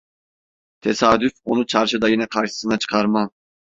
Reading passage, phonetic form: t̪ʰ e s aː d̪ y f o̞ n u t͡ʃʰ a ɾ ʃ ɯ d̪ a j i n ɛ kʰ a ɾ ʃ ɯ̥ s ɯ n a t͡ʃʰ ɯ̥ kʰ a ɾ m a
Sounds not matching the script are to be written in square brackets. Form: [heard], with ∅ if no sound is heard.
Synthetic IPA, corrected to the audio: t̪ʰ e s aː d̪ y f o̞ n u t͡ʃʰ a ɾ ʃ ɯ d̪ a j i n ɛ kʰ a ɾ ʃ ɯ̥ s ɯ n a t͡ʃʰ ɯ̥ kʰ a ɾ m a